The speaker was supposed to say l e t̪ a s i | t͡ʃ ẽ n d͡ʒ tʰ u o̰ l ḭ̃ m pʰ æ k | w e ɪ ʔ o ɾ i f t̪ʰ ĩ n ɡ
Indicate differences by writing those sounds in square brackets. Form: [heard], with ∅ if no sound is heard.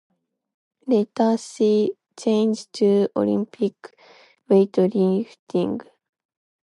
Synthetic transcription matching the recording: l e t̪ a s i | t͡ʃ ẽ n d͡ʒ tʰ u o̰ l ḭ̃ m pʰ [i] k | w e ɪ [t] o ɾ i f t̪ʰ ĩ [ŋ] ɡ